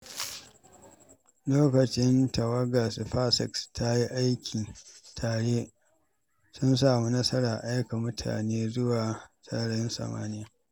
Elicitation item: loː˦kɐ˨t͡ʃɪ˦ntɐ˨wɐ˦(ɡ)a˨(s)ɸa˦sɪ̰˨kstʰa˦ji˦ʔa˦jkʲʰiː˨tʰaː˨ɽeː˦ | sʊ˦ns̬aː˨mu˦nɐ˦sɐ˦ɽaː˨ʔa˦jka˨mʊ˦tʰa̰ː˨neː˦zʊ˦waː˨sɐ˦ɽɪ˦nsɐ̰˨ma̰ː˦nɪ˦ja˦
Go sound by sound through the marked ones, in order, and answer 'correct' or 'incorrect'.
correct, correct

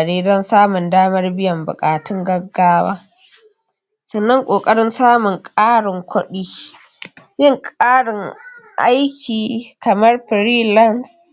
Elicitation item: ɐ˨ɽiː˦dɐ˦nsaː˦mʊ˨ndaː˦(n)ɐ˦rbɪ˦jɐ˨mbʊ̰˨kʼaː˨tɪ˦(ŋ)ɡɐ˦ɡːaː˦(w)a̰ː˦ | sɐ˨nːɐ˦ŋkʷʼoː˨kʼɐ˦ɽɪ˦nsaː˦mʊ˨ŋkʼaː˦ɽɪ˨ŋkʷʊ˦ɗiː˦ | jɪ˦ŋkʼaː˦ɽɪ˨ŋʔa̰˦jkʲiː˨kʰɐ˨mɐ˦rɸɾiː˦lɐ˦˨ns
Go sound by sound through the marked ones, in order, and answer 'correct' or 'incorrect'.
incorrect: m, correct, correct

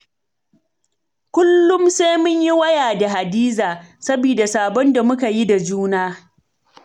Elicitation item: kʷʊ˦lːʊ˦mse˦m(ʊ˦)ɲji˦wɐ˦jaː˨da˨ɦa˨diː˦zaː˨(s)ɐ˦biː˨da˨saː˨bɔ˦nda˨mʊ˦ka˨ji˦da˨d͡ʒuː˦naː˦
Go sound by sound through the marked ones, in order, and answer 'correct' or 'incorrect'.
correct, correct

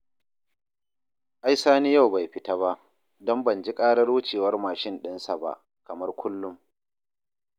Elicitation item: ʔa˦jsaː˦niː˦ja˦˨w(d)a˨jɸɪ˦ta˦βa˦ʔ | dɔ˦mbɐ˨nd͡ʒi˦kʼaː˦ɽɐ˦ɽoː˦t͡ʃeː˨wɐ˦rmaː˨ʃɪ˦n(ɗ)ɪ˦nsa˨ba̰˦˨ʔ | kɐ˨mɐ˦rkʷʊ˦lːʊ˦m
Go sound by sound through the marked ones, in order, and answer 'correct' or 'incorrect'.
incorrect: b, correct

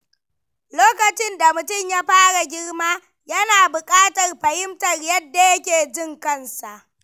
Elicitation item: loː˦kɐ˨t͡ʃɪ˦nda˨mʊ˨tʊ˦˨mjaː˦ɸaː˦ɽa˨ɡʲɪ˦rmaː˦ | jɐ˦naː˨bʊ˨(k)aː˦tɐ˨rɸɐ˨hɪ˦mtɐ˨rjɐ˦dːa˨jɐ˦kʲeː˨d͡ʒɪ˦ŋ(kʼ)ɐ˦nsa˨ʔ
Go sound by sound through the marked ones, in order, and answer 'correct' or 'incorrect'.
incorrect: kʼ, incorrect: k

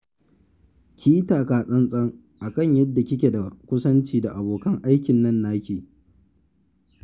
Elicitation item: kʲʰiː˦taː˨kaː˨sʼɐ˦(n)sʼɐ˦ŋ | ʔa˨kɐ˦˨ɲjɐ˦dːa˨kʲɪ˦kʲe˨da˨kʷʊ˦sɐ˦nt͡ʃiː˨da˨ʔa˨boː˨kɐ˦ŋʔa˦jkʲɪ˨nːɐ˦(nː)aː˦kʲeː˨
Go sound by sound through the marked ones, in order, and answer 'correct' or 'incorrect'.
correct, correct

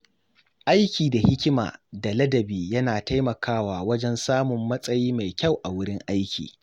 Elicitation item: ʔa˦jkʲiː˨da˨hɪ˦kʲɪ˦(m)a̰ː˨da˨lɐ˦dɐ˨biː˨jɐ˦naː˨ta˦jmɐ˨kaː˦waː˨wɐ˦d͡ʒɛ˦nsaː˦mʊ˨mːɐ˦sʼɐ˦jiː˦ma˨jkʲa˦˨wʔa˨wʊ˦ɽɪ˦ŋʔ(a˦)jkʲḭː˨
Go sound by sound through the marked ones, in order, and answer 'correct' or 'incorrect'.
correct, correct

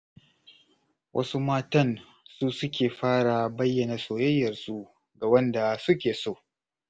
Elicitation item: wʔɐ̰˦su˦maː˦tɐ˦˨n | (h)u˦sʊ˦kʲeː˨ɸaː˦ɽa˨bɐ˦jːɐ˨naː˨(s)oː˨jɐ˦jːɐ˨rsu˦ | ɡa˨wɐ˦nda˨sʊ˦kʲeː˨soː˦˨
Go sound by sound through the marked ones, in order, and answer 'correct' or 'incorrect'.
incorrect: s, correct

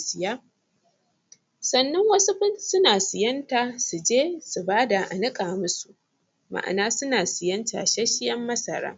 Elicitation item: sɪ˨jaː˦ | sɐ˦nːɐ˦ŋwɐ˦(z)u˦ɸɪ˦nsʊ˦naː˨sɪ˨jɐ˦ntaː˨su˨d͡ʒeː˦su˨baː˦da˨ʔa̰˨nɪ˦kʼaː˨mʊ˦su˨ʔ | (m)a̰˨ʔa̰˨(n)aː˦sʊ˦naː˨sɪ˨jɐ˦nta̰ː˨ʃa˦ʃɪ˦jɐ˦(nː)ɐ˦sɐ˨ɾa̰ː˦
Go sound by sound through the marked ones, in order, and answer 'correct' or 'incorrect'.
incorrect: s, correct, correct, incorrect: mː

